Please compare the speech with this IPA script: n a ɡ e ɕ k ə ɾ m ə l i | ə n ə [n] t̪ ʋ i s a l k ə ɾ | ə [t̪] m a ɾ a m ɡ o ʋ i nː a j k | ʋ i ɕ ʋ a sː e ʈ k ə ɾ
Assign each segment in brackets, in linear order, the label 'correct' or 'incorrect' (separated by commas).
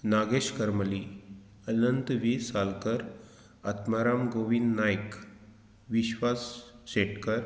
correct, correct